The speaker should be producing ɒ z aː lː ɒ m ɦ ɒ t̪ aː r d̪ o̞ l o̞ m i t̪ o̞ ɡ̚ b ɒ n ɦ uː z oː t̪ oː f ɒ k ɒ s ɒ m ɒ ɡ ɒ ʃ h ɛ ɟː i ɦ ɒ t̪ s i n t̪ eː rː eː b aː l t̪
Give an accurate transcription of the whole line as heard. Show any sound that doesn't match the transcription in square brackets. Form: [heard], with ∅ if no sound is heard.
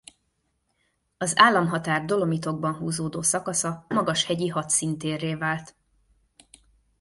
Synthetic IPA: ɒ z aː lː ɒ m ɦ ɒ t̪ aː r d̪ o̞ l o̞ m i t̪ o̞ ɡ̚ b ɒ n ɦ uː z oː [d̪] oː [s] ɒ k ɒ s ɒ m ɒ ɡ ɒ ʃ h ɛ [ɟ] i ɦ ɒ t̪ s i n t̪ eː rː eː [v] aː l t̪